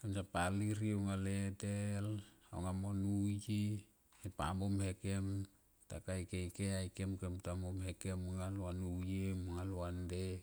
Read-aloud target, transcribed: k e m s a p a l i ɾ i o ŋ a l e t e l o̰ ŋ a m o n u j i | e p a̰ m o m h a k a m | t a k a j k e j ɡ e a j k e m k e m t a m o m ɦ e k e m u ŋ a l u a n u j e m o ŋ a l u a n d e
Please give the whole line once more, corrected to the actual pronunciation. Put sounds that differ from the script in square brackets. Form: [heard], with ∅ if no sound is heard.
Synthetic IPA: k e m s a p a l i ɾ i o ŋ a l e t e l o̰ ŋ a m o n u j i | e p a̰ m o m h [e] k [e] m | t a k a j k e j [k] e a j k e m k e m t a m o m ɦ e k e m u ŋ a l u a n u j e m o ŋ a l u a n d e